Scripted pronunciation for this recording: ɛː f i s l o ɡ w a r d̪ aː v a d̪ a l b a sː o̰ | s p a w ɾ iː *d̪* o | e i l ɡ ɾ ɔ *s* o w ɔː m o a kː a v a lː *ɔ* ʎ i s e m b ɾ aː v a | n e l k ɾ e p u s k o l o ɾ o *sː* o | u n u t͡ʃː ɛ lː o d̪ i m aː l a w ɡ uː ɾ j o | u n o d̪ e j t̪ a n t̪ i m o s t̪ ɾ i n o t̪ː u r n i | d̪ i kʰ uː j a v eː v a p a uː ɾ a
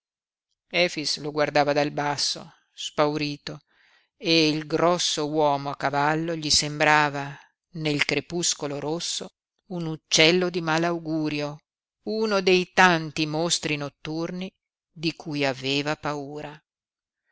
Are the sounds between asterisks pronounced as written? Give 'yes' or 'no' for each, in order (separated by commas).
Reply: no, no, no, yes